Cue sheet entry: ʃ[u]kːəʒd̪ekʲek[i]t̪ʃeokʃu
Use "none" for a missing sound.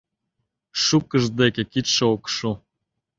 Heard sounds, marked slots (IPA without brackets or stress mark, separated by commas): u, i